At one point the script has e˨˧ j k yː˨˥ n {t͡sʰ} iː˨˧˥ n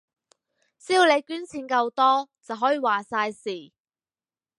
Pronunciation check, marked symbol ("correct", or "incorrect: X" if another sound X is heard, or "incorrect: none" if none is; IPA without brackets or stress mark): correct